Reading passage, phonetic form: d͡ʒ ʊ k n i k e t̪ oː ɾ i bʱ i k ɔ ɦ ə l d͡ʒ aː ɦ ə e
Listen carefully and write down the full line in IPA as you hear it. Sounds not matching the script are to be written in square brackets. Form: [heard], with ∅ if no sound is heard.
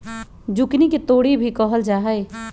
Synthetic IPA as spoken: d͡ʒ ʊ k n i k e t̪ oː [ɽ] i bʱ i k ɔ ɦ ə l d͡ʒ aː ɦ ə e